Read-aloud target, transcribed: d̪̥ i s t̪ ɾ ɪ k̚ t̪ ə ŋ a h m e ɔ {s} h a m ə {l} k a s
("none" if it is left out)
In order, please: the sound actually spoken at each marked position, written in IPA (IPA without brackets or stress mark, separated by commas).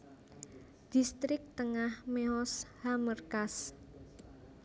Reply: s, r